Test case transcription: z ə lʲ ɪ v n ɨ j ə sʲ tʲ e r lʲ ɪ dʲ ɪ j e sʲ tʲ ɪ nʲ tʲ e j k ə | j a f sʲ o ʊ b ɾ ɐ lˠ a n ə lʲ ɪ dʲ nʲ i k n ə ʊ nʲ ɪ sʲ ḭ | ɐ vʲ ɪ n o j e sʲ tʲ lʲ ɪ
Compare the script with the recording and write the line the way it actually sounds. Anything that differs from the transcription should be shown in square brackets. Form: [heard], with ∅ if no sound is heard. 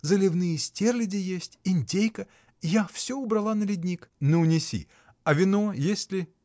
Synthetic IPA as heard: z ə lʲ ɪ v n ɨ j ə sʲ tʲ e r lʲ ɪ dʲ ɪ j e sʲ tʲ ɪ nʲ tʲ e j k ə | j a f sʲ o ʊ b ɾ ɐ lˠ a n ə lʲ ɪ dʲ nʲ i k n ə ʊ nʲ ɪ sʲ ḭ | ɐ vʲ ɪ n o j e sʲ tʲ lʲ ɪ

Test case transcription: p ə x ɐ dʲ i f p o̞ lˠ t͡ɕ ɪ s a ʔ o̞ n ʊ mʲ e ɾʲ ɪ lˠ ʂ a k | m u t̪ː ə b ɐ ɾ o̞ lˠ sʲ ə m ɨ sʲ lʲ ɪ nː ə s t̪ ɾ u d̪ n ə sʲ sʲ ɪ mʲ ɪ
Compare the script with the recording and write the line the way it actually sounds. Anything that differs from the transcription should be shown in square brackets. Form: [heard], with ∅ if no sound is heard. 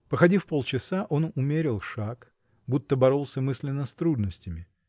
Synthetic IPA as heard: p ə x ɐ dʲ i f p o̞ lˠ t͡ɕ ɪ s a ʔ o̞ n ʊ mʲ e ɾʲ ɪ lˠ ʂ a k | [b] u t̪ː ə b ɐ ɾ o̞ lˠ sʲ ə m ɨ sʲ lʲ ɪ nː ə s t̪ ɾ u d̪ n ə sʲ [tʲ] ɪ mʲ ɪ

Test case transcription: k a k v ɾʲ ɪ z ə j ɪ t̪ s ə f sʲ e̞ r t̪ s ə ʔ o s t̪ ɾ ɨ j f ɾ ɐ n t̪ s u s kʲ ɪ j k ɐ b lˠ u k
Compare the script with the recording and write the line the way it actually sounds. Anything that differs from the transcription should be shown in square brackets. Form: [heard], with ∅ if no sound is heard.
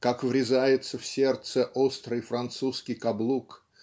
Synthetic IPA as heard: k a k v ɾʲ ɪ z [a] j ɪ t̪ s ə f sʲ e̞ r t̪ s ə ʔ o s t̪ ɾ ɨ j f ɾ ɐ n t̪ s u s kʲ ɪ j k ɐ b lˠ u k

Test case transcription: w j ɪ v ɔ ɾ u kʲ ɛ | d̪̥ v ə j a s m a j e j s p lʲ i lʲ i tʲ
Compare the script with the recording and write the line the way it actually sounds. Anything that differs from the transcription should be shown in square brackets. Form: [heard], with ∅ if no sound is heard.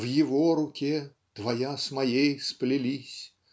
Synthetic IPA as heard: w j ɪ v ɔ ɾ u kʲ ɛ | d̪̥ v [a] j a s m a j e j s p lʲ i lʲ i [sʲ]

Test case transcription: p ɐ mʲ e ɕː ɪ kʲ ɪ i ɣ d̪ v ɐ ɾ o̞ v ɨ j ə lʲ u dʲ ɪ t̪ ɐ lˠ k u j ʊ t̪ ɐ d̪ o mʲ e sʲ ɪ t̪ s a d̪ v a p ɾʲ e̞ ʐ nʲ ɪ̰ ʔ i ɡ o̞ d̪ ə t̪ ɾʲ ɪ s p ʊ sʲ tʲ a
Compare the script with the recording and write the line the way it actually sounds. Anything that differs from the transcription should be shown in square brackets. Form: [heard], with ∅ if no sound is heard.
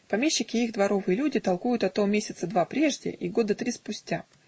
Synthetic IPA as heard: p ɐ mʲ e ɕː ɪ kʲ ɪ i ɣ d̪ v ɐ ɾ o̞ v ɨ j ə lʲ u dʲ ɪ t̪ ɐ lˠ k u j ʊ t̪ ɐ [t̪] o mʲ e sʲ ɪ t̪ s [ə] d̪ v a p ɾʲ e̞ ʐ [dʲ] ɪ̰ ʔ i ɡ o̞ d̪ ə t̪ ɾʲ [i] s p ʊ sʲ tʲ a

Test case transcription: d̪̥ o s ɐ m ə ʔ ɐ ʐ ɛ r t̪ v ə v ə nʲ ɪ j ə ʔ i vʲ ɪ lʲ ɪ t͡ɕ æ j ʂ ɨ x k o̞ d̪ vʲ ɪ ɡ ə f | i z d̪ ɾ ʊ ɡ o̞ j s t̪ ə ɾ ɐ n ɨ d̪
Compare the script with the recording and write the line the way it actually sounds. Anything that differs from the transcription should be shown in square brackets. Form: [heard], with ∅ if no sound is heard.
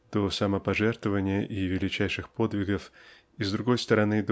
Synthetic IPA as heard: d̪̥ o s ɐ m ə [p] ɐ ʐ ɛ r t̪ v ə v ə nʲ ɪ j ə ʔ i vʲ ɪ lʲ ɪ t͡ɕ æ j ʂ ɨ x [p] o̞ d̪ vʲ ɪ ɡ ə f | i z d̪ ɾ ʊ ɡ o̞ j s t̪ ə ɾ ɐ n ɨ d̪

